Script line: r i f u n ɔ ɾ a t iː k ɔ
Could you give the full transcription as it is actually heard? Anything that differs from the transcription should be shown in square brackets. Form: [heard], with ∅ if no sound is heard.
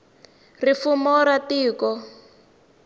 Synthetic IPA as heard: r i f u [m] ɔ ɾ a t iː k ɔ